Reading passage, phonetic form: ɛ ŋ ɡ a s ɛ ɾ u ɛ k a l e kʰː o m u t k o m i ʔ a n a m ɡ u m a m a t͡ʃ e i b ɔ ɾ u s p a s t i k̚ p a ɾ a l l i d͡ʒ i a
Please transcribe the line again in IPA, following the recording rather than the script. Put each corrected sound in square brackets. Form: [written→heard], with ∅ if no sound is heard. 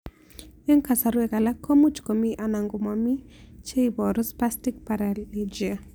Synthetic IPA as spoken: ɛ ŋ [ɡ→k] a s [ɛ→a] ɾ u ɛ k a l [e→a] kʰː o m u [t→t͡ʃ] k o m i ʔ a n a [m→ŋ] ɡ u m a m [a→i] t͡ʃ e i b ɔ ɾ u s p a s t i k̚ p a ɾ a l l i d͡ʒ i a